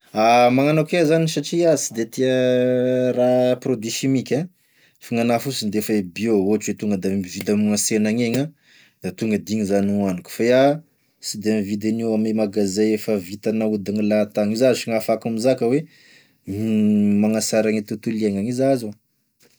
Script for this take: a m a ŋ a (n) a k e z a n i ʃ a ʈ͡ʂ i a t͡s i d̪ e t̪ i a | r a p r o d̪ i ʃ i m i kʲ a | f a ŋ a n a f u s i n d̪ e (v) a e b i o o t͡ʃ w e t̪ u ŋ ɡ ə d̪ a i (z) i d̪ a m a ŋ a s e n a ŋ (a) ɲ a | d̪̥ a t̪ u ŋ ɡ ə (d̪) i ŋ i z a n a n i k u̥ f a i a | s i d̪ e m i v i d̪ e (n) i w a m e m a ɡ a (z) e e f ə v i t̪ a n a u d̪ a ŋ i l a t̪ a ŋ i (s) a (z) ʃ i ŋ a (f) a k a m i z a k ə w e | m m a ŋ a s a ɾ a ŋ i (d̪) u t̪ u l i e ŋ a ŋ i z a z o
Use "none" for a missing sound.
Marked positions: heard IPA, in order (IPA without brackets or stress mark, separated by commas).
n, f, v, e, d̪, n, z, z, z, f, t̪